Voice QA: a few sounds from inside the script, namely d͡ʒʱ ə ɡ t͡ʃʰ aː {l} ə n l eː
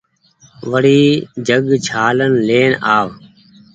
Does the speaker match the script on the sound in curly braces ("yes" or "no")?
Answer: yes